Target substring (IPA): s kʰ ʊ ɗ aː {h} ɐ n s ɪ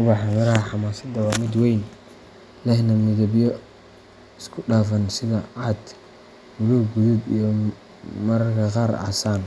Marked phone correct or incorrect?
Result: incorrect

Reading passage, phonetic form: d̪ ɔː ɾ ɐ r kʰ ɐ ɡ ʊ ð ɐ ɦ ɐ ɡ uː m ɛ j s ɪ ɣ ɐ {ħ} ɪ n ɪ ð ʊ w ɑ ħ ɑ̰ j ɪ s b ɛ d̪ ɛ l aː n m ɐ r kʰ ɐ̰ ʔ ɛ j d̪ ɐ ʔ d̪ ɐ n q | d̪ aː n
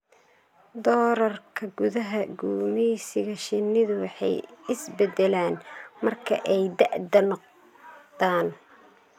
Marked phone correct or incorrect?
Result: incorrect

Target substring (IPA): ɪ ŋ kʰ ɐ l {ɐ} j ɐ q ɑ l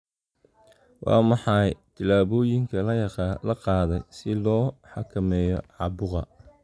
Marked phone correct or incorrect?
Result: correct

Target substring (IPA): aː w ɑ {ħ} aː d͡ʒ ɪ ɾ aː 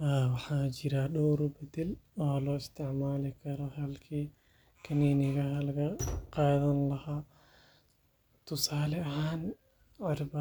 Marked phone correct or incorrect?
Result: correct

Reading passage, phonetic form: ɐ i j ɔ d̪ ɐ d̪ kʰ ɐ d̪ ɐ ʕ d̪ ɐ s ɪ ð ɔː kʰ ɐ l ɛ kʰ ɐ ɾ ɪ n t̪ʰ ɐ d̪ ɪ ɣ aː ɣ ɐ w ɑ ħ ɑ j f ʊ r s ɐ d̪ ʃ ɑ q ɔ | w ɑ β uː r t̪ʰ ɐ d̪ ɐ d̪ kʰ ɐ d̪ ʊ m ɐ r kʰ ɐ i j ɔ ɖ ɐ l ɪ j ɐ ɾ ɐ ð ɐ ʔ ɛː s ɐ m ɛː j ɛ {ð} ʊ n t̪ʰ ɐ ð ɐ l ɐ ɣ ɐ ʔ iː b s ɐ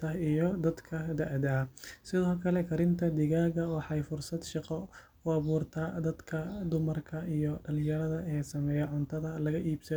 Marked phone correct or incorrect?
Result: incorrect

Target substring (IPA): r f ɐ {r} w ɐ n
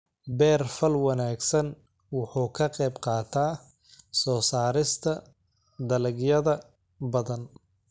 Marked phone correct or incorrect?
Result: incorrect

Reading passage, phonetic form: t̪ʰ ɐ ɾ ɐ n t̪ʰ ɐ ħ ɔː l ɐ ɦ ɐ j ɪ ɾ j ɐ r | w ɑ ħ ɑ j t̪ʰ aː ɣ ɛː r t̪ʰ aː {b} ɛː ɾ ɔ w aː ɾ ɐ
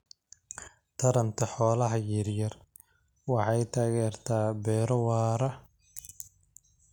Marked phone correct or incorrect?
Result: correct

